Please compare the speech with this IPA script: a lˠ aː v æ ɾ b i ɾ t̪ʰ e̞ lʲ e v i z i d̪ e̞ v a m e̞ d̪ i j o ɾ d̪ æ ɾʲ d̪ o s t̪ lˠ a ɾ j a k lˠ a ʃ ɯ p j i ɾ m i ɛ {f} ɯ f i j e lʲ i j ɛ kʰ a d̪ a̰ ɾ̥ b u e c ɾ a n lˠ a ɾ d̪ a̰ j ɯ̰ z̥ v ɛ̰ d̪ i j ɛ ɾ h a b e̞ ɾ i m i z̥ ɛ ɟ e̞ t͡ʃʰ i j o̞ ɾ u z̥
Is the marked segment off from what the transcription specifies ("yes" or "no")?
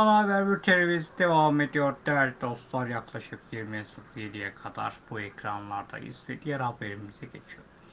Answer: yes